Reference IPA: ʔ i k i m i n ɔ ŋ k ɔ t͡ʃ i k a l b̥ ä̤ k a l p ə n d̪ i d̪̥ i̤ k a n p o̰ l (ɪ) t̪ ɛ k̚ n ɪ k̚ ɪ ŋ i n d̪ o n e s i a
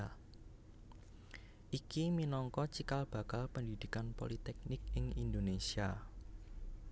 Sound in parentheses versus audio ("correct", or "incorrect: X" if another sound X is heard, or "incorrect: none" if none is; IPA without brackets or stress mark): incorrect: i